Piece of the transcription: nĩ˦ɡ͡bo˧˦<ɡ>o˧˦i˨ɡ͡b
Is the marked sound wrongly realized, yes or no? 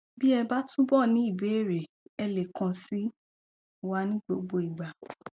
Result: yes